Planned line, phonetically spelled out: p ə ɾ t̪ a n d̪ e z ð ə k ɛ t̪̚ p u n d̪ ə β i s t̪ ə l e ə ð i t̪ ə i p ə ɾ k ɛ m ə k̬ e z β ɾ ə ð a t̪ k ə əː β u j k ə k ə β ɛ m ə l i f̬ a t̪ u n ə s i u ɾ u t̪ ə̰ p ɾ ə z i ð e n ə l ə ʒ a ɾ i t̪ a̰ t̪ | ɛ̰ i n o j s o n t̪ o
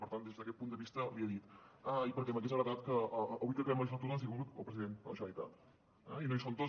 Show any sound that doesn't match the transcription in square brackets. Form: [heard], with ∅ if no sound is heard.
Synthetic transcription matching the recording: p ə ɾ t̪ a n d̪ e z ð ə k ɛ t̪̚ p u n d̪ ə β i s t̪ ə l [i] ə ð i t̪ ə i p ə ɾ k ɛ m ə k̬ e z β ɾ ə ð a t̪ k ə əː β u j k ə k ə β ɛ m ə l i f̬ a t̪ u n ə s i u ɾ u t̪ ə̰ p ɾ ə z i ð e n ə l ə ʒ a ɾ i t̪ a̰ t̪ | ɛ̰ i n o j s o n t̪ o

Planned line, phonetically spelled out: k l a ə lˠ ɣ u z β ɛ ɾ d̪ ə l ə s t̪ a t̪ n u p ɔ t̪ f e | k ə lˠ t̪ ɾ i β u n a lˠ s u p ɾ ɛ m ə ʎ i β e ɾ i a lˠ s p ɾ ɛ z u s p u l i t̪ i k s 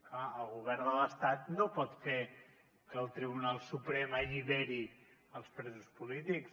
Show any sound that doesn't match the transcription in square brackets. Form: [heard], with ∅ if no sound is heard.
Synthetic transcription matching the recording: k l a ə lˠ ɣ u [∅] β ɛ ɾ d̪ ə l ə s t̪ a t̪ n [o] p ɔ t̪ f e | k ə lˠ t̪ ɾ i β u n a lˠ s u p ɾ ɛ m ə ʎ i β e ɾ i [ə] lˠ s p ɾ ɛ z u s p u l i t̪ i k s

